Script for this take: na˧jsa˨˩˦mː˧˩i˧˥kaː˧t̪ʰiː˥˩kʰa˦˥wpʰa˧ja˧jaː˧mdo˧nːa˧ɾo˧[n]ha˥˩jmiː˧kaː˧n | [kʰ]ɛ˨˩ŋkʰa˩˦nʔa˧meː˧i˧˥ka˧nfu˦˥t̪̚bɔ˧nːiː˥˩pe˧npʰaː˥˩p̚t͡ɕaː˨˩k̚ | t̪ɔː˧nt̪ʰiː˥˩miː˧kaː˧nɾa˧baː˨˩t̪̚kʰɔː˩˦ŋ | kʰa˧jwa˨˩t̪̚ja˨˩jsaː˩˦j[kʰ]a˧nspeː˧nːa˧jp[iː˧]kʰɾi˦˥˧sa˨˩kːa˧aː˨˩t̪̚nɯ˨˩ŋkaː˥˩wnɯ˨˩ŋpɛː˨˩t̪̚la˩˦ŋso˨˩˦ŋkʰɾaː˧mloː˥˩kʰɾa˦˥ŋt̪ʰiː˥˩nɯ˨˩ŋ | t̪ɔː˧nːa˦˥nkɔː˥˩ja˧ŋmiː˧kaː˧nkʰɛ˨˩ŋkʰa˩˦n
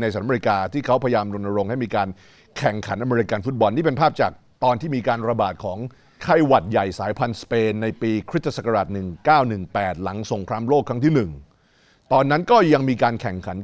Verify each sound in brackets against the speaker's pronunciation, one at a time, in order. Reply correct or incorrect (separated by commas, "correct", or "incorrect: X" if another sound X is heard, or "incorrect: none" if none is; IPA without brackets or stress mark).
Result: incorrect: ŋ, correct, incorrect: pʰ, correct